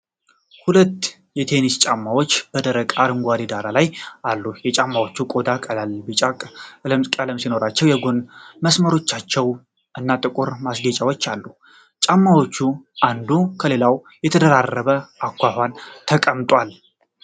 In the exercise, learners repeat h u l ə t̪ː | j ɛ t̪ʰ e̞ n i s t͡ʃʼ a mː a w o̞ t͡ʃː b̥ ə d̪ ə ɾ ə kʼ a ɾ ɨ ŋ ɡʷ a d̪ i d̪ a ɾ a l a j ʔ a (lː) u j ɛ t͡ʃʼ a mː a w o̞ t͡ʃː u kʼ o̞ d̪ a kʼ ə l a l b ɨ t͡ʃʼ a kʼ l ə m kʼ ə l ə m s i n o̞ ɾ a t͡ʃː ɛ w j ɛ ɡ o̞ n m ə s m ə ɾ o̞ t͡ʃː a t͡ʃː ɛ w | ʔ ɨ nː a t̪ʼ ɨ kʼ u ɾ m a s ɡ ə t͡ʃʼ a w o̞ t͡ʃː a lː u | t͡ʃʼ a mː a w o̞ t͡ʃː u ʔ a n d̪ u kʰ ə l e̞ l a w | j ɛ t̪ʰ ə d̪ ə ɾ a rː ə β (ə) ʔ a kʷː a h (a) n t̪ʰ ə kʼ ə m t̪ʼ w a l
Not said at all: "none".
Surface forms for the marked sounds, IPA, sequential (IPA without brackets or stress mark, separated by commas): lː, ə, a